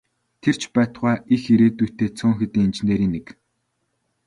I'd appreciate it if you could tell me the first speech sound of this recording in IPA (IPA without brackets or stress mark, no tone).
t̪ʰ